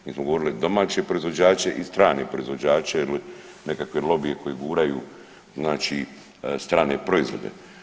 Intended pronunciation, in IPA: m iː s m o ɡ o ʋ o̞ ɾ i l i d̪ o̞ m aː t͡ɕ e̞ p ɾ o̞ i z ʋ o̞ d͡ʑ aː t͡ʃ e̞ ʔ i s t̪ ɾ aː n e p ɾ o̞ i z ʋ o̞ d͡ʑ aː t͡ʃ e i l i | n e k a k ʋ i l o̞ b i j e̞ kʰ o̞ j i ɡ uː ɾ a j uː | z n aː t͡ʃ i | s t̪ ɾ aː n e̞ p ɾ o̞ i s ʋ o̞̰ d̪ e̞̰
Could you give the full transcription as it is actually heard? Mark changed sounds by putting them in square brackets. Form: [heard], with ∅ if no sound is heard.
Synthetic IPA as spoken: m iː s m o ɡ o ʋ o̞ ɾ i l i d̪ o̞ m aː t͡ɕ e̞ p ɾ o̞ i z ʋ o̞ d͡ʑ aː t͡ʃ e̞ ʔ i s t̪ ɾ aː n e p ɾ o̞ i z ʋ o̞ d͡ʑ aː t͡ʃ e i l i | n e k a k ʋ [e] l o̞ b i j e̞ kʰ o̞ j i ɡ uː ɾ a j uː | z n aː t͡ʃ i | s t̪ ɾ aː n e̞ p ɾ o̞ i [z] ʋ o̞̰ d̪ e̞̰